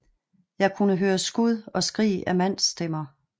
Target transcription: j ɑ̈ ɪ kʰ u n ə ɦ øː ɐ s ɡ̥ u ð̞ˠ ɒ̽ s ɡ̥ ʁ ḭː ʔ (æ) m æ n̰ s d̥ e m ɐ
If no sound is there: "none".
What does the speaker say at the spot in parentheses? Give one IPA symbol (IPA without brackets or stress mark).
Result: æ